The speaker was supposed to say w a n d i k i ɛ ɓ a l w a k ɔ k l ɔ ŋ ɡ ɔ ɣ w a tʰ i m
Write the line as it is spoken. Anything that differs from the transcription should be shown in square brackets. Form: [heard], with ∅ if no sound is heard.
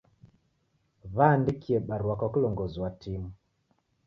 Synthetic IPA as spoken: [β] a n d i k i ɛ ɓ a [ɾ] w a k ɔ k l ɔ ŋ ɡ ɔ [z] w a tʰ i m